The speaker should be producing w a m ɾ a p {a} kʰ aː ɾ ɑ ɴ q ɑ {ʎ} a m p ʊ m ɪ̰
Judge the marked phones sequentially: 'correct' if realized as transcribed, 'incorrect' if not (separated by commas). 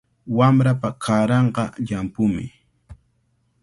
correct, correct